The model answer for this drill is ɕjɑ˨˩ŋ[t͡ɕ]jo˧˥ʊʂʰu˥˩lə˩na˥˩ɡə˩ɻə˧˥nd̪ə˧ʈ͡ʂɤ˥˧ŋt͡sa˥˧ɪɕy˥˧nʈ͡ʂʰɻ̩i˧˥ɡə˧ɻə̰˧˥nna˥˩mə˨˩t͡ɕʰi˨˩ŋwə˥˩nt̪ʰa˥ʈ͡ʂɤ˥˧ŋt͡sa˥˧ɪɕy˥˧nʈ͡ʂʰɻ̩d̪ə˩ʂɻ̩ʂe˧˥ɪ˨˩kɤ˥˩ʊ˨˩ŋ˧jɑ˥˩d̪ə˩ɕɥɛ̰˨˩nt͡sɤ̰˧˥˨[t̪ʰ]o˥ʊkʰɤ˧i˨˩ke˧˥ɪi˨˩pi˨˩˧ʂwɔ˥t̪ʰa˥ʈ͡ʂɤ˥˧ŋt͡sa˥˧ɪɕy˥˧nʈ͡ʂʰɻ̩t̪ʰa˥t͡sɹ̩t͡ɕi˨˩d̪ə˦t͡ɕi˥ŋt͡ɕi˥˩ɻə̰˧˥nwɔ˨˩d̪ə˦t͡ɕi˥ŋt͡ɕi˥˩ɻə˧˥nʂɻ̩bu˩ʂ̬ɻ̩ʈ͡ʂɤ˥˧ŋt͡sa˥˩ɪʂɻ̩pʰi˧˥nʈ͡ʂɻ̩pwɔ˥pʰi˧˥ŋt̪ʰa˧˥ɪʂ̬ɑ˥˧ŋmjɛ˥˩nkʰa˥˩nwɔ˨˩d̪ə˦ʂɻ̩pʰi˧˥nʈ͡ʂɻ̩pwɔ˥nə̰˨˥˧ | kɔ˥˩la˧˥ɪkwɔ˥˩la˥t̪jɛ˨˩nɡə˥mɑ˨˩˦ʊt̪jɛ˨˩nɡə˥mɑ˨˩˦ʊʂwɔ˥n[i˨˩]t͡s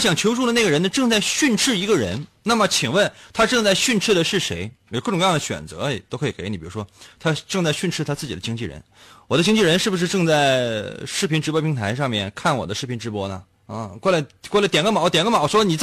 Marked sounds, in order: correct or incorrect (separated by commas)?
incorrect, incorrect, correct